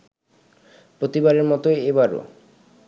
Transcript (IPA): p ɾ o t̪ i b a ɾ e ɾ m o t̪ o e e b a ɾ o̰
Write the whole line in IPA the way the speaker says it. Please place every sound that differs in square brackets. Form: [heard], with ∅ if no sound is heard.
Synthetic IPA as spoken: p ɾ o t̪ i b a ɾ e ɾ m [ɔ] t̪ o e e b a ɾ o̰